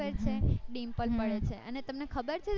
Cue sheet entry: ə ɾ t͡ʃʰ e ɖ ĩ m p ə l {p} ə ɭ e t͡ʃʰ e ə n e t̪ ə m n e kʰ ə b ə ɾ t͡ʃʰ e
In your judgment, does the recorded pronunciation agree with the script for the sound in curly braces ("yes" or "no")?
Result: yes